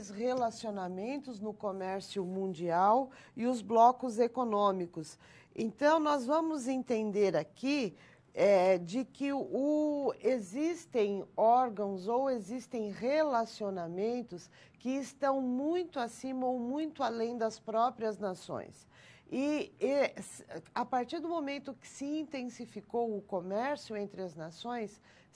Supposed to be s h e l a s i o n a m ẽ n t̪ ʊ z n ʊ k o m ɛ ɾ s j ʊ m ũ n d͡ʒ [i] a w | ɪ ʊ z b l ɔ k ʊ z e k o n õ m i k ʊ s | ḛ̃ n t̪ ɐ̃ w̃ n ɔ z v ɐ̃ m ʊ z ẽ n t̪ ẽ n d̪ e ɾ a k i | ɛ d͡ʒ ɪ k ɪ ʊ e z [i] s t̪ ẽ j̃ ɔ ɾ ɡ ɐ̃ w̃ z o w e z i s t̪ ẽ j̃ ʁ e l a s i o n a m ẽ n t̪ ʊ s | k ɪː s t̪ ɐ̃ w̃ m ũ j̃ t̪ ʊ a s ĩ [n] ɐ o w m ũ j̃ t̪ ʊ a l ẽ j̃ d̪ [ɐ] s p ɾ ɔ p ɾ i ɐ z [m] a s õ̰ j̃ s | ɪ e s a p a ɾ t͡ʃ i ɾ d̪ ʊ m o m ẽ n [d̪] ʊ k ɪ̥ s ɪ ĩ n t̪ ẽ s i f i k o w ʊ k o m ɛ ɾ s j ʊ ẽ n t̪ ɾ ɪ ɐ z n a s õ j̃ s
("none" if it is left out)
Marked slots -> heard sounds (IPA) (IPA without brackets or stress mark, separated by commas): i, i, m, ɐ, n, t̪